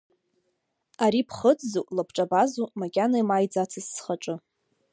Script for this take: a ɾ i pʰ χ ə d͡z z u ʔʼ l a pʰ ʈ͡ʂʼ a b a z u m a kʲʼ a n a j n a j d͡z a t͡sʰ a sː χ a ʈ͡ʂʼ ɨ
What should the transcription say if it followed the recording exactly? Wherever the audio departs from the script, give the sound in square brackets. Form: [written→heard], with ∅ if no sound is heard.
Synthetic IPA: a ɾ i pʰ χ ə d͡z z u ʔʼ l a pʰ ʈ͡ʂʼ a b a z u m a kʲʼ a n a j [n→m] a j d͡z a t͡sʰ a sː χ a ʈ͡ʂʼ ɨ